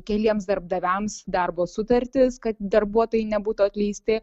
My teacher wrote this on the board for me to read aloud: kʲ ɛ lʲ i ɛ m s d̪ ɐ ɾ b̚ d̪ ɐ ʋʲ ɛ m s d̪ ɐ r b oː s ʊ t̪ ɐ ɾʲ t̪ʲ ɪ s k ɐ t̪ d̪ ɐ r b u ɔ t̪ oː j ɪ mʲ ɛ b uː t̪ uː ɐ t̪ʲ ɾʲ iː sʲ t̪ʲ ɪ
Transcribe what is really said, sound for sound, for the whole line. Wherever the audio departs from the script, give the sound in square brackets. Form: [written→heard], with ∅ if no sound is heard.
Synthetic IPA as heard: kʲ ɛ lʲ i ɛ m s d̪ ɐ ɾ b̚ d̪ ɐ ʋʲ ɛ m s d̪ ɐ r b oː s ʊ t̪ ɐ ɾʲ t̪ʲ ɪ s k ɐ t̪ d̪ ɐ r b u ɔ t̪ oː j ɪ [mʲ→nʲ] ɛ b uː t̪ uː ɐ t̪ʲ [ɾʲ→lʲ] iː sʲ t̪ʲ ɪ